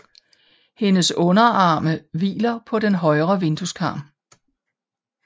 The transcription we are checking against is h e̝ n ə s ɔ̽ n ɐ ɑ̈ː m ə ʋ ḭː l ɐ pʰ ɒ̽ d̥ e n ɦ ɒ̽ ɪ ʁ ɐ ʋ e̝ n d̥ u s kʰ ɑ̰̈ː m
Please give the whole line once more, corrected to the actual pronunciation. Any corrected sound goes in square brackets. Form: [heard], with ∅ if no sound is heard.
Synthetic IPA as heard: h e̝ n ə s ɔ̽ n ɐ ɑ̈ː m ə ʋ ḭː l ɐ pʰ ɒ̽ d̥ e n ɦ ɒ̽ ɪ ʁ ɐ ʋ e̝ n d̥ u s kʰ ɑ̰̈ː m